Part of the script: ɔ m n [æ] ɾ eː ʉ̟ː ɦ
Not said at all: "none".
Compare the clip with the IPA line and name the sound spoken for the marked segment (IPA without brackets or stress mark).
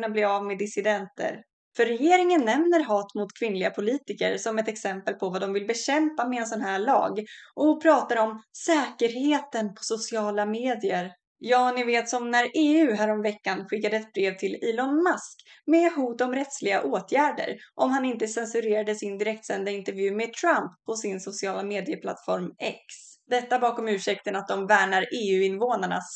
æ